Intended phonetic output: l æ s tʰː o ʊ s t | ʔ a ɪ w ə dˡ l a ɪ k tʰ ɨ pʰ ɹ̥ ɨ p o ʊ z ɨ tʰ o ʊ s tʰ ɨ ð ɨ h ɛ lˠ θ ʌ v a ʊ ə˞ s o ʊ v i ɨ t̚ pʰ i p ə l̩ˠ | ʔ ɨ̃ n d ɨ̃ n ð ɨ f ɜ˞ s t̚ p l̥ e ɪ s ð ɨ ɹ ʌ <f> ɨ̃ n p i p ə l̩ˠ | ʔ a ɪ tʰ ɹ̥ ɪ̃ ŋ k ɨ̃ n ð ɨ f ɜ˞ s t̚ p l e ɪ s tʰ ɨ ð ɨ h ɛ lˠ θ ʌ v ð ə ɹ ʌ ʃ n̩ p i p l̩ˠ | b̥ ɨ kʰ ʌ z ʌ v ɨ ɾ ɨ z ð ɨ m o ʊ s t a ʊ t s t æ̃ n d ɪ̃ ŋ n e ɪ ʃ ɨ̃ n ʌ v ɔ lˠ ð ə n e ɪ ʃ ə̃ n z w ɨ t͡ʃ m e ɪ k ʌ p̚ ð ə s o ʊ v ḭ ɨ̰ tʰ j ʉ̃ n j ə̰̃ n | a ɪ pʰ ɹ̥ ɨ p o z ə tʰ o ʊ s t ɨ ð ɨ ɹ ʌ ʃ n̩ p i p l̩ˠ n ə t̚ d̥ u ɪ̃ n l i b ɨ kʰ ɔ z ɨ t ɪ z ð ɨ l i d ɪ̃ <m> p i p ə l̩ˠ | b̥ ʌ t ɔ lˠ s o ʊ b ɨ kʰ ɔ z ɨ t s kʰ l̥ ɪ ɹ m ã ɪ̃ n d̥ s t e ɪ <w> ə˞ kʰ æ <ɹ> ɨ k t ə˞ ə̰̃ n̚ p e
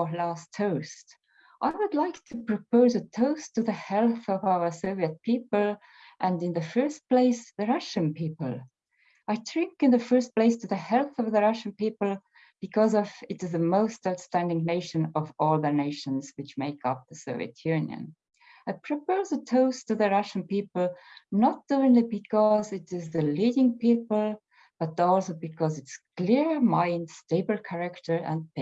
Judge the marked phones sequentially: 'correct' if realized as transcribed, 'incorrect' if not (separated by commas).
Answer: incorrect, incorrect, incorrect, correct